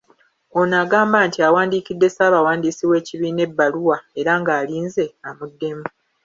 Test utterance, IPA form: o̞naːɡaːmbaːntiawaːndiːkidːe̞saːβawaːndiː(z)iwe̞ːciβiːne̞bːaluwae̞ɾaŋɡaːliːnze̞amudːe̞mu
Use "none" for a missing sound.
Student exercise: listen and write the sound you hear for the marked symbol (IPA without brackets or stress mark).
s